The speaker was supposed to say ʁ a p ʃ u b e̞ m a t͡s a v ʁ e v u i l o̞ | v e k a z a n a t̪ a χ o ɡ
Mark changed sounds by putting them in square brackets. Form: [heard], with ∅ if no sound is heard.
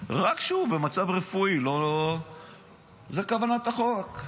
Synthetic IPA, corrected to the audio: ʁ a [k] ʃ u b e̞ m a t͡s a v ʁ e [f] u i l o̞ | [z] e k a [v] a n a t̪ a χ o [k]